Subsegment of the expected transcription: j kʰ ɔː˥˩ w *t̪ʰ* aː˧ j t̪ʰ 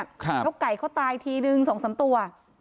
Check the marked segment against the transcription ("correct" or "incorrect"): incorrect